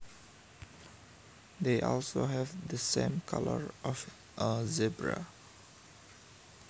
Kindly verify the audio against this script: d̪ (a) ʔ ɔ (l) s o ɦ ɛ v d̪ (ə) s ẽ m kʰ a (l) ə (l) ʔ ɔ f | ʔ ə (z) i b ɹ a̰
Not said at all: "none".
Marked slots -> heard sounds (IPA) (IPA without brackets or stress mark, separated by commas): e, l, ə, l, ɹ, z